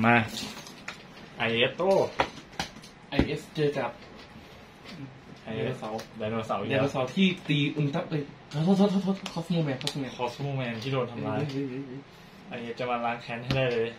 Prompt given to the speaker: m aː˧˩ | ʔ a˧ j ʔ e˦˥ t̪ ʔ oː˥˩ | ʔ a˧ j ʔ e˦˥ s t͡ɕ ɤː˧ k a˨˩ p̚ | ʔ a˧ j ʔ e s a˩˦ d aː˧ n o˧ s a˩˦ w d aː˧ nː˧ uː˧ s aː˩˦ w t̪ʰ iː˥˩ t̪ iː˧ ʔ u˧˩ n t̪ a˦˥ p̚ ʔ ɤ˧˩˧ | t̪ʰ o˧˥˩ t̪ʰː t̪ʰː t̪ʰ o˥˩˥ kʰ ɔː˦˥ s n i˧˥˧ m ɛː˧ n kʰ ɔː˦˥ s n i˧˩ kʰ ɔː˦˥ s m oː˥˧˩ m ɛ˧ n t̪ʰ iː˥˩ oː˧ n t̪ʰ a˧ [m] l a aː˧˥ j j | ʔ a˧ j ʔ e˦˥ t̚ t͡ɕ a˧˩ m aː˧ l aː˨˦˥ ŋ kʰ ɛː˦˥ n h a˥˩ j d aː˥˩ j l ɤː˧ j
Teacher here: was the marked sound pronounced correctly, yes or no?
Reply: yes